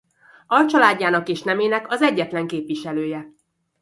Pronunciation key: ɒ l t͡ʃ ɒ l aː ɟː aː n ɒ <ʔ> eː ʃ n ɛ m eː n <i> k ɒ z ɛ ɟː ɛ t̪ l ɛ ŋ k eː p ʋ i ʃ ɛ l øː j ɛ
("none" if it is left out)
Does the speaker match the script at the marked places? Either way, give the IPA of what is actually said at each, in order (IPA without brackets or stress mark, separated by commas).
k, ɛ